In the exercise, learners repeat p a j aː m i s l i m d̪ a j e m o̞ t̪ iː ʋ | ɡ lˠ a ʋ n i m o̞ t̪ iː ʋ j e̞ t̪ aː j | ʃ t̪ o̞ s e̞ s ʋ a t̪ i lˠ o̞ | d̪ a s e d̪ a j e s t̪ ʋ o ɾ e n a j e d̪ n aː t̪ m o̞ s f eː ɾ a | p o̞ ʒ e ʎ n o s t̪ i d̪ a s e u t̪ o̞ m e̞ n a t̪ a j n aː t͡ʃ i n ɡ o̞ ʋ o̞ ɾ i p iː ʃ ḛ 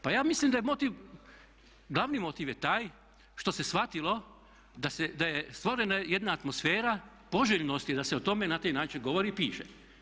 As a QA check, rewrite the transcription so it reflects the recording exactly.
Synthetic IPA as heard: p a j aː m i s l i m d̪ a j e m o̞ t̪ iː ʋ | ɡ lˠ a ʋ n i m o̞ t̪ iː ʋ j e̞ t̪ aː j | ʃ t̪ o̞ s e̞ s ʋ a t̪ i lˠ o̞ | d̪ a s e d̪ a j e s t̪ ʋ o ɾ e n a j e d̪ n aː t̪ m o̞ s f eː ɾ a | p o̞ ʒ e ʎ n o s t̪ i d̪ a s e o t̪ o̞ m e̞ n a t̪ a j n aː t͡ʃ i n ɡ o̞ ʋ o̞ ɾ i p iː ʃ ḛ

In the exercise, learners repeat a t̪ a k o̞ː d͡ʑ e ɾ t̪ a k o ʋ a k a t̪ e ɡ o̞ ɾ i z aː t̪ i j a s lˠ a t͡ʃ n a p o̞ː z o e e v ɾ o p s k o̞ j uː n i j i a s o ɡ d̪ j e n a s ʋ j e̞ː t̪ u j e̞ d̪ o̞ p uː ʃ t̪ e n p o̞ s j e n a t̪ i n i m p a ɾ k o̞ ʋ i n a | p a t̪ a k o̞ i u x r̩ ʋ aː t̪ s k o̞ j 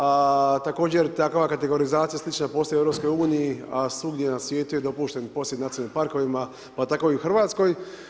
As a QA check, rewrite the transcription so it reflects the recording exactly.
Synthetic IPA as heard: a t̪ a k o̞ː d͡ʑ e ɾ t̪ a k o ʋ a k a t̪ e ɡ o̞ ɾ i z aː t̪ i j a s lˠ i t͡ʃ n a p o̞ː s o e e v ɾ o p s k o̞ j uː n i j i a s u ɡ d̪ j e n a s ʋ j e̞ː t̪ u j e̞ d̪ o̞ p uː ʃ t̪ e n p o̞ s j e n a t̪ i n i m p a ɾ k o̞ ʋ i m a | p a t̪ a k o̞ i u x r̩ ʋ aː t̪ s k o̞ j

